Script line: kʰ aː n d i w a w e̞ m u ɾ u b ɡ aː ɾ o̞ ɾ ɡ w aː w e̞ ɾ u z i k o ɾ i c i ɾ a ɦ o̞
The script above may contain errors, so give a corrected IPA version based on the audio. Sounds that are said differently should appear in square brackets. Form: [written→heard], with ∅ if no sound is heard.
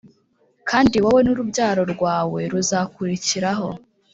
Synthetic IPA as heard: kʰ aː n d i w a w e̞ [m→n] u ɾ u b [ɡ→ɟ] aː ɾ o̞ ɾ ɡ w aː w e̞ ɾ u z [i→a] k [o→u] ɾ i c i ɾ a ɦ o̞